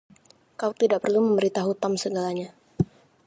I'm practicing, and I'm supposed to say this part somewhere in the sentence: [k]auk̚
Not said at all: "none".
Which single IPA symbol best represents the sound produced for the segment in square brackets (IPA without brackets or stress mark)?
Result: k